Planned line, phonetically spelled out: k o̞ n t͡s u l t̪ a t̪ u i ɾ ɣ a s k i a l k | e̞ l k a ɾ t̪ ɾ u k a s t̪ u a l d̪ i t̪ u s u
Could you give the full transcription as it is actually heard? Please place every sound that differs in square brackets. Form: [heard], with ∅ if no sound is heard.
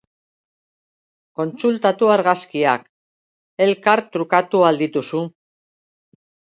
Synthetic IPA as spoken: k o̞ n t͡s u l t̪ a t̪ u [a] ɾ ɣ a s k i a [∅] k | e̞ l k a ɾ t̪ ɾ u k a [∅] t̪ u a l d̪ i t̪ u s u